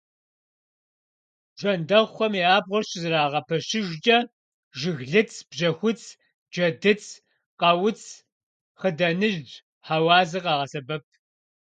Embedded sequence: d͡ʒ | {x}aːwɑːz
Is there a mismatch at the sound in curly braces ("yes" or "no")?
yes